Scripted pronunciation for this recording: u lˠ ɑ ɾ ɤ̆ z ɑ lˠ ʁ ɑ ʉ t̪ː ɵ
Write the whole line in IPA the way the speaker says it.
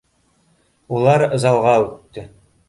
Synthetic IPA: u lˠ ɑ ɾ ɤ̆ z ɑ lˠ ʁ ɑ ʉ t̪ː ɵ

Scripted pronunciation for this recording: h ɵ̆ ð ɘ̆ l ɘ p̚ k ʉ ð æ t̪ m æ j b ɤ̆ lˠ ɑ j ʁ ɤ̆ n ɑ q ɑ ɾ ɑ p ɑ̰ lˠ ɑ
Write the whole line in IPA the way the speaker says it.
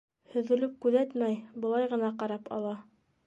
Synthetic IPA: h ɵ̆ ð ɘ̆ l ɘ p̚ k ʉ ð æ t̪ m æ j b ɤ̆ lˠ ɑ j ʁ ɤ̆ n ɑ q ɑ ɾ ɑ p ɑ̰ lˠ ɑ

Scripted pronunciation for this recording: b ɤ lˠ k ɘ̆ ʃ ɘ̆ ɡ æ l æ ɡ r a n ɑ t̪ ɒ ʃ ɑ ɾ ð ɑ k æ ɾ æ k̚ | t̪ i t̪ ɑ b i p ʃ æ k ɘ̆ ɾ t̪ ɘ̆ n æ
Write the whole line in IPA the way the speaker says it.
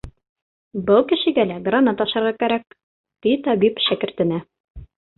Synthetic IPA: b ɤ lˠ k ɘ̆ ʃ ɘ̆ ɡ æ l æ ɡ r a n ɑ t̪ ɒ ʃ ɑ ɾ ʁ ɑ k æ ɾ æ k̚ | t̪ i t̪ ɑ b i p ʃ æ k ɘ̆ ɾ t̪ ɘ̆ n æ

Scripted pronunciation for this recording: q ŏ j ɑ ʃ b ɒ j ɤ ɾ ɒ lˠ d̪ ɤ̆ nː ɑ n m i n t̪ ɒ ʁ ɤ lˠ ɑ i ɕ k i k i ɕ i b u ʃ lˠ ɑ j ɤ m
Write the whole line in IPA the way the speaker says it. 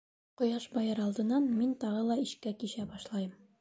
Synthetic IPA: q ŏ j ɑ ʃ b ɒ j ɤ ɾ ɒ lˠ d̪ ɤ̆ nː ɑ n m i n t̪ ɒ ʁ ɤ lˠ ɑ i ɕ k æ k i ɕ æ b ɒ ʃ lˠ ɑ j ɤ m

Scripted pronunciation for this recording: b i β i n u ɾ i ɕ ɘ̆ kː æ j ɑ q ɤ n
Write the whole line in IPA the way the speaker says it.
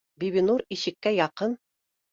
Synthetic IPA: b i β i n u ɾ i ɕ ɘ̆ kː æ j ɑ q ɤ n

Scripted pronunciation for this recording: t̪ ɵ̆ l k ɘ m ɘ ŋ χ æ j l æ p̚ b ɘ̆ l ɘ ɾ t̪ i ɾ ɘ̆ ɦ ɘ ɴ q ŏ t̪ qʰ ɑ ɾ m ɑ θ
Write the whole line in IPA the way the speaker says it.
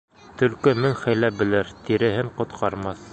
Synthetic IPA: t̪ ɵ̆ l k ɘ m ɘ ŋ χ æ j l æ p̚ b ɘ̆ l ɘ ɾ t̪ i ɾ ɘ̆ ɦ ɘ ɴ q ŏ t̪ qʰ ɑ ɾ m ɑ θ

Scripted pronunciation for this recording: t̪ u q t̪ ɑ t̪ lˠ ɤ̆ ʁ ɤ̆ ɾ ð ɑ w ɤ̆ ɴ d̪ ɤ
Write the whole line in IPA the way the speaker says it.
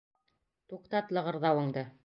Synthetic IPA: t̪ u q t̪ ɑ t̪ lˠ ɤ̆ ʁ ɤ̆ ɾ ð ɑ w ɤ̆ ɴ d̪ ɤ

